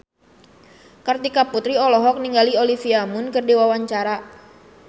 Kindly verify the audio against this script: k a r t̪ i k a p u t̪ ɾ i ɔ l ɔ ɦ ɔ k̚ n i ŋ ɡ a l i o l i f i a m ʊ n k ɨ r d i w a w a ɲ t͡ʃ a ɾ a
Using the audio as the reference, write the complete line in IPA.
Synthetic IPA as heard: k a r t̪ i k a p u t̪ ɾ i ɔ l ɔ ɦ ɔ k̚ n i ŋ ɡ a l i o l i f i a m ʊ n k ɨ r d i w a w a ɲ t͡ʃ a ɾ a